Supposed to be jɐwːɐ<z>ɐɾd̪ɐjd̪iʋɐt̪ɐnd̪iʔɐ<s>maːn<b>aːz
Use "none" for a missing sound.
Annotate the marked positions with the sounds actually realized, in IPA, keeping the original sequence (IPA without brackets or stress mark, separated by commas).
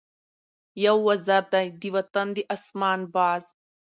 z, s, b